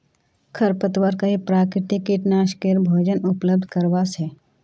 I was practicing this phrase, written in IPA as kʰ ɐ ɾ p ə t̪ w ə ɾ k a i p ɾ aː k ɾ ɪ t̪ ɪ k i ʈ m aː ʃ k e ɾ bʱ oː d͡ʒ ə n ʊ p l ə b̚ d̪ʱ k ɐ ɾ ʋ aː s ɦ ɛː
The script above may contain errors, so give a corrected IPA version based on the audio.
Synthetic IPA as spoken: kʰ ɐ ɾ p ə t̪ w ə ɾ k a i p ɾ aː k ɾ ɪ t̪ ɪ k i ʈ n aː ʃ k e ɾ bʱ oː d͡ʒ ə n ʊ p l ə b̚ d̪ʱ k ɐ ɾ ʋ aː s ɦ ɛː